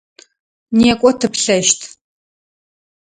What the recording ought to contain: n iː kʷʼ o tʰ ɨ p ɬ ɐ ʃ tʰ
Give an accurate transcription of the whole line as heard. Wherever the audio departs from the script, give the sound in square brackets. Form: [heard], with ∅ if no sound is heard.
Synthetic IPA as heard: n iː kʷʼ [ɔ] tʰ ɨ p ɬ ɐ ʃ tʰ